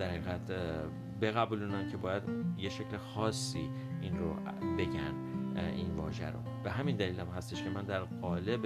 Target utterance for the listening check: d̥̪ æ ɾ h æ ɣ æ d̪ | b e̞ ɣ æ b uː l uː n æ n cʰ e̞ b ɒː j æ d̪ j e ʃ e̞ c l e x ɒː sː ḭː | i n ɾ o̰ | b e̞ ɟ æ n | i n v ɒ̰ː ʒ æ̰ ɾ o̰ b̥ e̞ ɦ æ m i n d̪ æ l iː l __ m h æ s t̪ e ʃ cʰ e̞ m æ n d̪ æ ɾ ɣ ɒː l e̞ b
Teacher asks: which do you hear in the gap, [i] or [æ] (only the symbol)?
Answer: æ